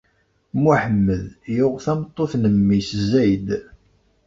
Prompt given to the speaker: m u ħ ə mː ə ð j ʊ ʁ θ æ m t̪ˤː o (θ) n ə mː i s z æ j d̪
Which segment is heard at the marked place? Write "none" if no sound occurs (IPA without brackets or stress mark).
θ